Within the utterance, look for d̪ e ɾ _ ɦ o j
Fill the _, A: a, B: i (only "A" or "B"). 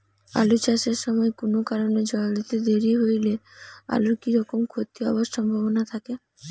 B